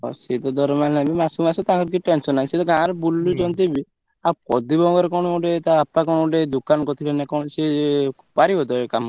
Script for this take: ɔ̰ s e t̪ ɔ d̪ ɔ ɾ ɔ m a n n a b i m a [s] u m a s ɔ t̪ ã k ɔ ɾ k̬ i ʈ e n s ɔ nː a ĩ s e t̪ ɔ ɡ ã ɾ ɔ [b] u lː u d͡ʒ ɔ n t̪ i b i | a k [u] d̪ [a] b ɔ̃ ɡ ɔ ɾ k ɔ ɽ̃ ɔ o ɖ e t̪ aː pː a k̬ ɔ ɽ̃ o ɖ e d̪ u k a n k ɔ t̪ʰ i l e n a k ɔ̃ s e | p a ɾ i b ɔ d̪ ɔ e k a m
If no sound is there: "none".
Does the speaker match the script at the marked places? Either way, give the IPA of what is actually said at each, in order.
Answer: s, b, ɔ, i

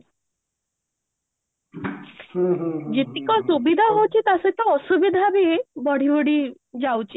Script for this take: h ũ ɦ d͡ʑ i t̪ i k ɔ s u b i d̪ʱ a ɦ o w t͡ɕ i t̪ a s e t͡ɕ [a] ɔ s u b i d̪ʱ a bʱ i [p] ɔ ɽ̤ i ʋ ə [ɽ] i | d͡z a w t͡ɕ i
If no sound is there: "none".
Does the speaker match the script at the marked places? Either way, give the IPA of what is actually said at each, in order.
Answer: a, b, ɽ

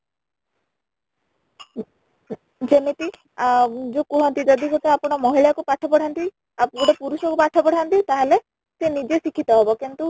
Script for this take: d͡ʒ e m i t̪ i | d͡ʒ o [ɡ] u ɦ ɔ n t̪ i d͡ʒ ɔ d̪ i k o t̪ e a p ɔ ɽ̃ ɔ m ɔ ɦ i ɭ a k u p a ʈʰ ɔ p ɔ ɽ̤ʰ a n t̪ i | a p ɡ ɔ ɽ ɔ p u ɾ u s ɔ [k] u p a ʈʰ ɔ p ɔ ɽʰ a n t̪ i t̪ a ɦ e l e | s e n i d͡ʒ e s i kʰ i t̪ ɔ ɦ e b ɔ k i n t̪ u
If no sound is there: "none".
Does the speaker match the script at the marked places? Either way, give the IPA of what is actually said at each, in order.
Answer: k, k

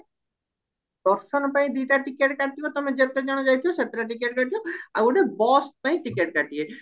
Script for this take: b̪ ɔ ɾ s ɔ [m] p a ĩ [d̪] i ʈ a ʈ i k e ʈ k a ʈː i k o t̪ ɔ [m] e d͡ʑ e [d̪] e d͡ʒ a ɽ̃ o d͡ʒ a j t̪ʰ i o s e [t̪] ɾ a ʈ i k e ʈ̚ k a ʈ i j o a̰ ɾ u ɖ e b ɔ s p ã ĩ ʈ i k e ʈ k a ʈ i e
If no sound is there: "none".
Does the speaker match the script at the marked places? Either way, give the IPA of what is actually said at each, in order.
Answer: n, d̪, m, t̪, t̪

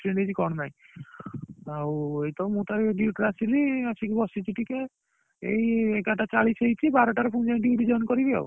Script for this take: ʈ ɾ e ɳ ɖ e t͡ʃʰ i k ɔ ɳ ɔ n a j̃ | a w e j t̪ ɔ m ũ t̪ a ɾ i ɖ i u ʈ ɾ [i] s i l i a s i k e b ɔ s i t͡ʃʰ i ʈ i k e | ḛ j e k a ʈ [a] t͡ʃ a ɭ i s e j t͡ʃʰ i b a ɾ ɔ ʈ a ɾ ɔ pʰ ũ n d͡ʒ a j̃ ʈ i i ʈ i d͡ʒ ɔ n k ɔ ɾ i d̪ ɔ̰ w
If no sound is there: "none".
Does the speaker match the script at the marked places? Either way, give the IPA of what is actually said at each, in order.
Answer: a, a

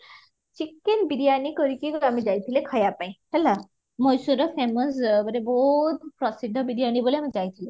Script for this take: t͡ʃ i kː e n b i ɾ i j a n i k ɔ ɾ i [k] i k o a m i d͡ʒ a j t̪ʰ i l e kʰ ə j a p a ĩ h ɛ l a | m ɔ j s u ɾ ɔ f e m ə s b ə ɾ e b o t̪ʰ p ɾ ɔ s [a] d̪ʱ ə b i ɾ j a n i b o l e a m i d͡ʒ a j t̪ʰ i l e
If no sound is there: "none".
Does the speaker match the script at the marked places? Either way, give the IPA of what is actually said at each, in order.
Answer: k, i

